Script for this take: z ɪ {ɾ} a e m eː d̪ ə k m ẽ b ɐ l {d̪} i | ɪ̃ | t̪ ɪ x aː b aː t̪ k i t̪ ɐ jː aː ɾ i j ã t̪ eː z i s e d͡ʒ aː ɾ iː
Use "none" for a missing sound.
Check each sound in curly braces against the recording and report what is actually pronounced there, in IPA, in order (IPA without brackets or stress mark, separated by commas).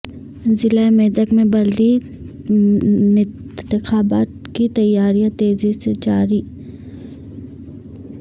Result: l, d̪